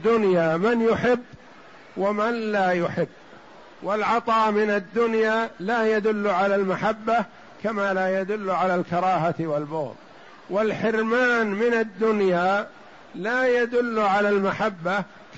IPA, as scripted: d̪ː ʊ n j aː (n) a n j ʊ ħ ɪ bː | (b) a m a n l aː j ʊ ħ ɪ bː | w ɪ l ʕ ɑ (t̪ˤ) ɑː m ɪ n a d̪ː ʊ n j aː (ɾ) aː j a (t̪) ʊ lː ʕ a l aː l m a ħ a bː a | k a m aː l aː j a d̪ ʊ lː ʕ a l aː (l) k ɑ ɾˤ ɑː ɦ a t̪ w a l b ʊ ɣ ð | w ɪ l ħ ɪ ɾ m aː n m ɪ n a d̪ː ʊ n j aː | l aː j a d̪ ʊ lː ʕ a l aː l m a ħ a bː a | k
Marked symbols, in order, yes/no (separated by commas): no, no, yes, no, no, yes